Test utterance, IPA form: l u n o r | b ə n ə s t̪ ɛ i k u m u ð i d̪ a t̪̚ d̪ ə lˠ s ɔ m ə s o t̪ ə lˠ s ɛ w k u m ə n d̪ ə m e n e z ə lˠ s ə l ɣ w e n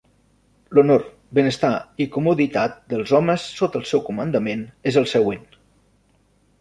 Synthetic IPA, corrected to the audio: l u n o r | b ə n ə s t̪ a i k u m u ð i t̪ a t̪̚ d̪ ə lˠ z ɔ m ə sː o t̪ ə lˠ s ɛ w k u m ə n d̪ ə m e n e z ə lˠ s ə ɣ w e n